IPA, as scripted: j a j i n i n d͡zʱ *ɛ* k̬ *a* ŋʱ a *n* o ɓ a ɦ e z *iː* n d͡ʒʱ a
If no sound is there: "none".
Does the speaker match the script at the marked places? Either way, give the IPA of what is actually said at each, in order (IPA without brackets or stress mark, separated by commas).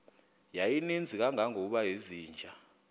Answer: i, a, ŋ, iː